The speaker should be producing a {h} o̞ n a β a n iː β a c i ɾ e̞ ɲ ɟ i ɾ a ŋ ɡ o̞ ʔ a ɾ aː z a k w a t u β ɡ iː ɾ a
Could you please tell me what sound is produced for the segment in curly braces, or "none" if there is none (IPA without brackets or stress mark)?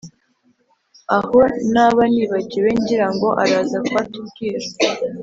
h